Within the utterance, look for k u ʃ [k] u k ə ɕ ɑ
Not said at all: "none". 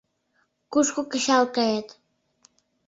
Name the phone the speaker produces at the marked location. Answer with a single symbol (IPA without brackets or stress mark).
k